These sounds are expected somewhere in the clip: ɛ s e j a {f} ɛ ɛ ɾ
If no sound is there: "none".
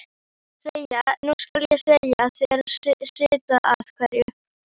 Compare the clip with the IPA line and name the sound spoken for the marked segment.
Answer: θ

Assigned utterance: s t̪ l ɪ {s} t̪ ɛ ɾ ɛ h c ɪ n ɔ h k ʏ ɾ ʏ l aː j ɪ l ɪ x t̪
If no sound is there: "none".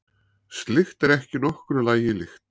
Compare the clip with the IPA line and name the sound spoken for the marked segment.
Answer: x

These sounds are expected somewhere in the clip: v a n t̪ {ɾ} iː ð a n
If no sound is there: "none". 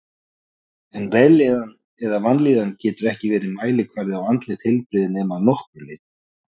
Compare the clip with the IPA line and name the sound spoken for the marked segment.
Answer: l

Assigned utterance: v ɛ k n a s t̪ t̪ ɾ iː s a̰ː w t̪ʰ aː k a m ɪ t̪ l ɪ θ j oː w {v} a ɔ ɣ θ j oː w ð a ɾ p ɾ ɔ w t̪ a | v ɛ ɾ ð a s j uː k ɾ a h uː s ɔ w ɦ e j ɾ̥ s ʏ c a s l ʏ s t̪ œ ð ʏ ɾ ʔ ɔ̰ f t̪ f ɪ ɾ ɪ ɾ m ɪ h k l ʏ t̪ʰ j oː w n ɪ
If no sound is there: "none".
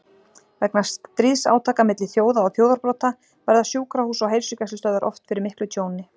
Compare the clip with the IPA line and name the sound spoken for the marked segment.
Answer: ð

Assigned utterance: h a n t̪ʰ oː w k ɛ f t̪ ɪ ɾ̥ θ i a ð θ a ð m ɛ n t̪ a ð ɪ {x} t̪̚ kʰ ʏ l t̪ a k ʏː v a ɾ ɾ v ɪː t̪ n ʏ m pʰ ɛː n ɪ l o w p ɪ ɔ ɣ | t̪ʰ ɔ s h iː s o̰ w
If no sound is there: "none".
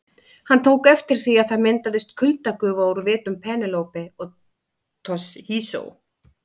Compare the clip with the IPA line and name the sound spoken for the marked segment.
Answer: s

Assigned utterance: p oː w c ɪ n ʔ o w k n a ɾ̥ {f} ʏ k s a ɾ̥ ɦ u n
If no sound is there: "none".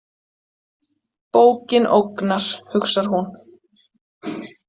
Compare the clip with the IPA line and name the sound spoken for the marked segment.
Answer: h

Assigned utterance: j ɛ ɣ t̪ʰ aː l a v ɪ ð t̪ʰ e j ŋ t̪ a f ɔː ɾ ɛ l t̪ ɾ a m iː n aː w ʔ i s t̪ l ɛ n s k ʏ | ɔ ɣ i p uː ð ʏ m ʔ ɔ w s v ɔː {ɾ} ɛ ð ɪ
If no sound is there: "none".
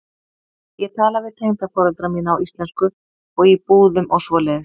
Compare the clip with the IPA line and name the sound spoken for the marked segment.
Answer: l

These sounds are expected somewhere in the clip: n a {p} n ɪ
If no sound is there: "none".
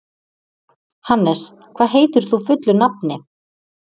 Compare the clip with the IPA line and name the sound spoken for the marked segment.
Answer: p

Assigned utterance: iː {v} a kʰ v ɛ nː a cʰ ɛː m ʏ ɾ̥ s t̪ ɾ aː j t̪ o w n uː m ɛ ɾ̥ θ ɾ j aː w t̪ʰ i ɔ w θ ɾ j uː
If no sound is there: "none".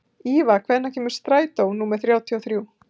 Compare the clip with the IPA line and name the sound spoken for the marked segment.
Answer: v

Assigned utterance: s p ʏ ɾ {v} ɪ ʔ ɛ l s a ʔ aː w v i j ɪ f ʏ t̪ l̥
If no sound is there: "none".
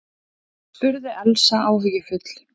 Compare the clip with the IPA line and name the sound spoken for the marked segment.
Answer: ð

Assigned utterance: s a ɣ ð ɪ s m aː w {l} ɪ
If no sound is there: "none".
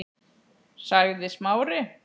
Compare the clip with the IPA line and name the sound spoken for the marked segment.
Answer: ɾ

